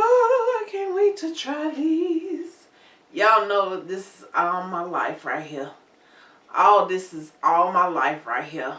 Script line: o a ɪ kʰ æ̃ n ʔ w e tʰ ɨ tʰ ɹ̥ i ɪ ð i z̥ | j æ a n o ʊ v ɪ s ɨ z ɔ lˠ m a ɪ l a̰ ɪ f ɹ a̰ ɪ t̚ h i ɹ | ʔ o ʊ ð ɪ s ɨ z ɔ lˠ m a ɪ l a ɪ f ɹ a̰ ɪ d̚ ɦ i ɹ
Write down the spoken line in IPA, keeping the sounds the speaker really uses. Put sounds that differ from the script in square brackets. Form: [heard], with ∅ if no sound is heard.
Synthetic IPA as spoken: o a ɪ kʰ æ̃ n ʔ w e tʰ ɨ tʰ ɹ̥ [a] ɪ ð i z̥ | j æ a n o ʊ [ð] ɪ s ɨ z ɔ lˠ m a ɪ l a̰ ɪ f ɹ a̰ ɪ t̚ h i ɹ | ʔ o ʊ ð ɪ s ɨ z ɔ lˠ m a ɪ l a ɪ f ɹ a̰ ɪ [t̚] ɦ i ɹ